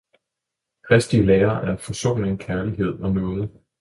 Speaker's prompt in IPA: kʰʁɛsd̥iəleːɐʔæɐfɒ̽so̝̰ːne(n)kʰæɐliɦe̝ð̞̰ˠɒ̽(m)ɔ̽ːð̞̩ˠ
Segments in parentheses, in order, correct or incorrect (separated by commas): incorrect, incorrect